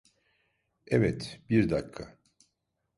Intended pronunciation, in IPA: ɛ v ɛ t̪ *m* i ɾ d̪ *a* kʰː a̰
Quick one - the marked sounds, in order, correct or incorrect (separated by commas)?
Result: incorrect, correct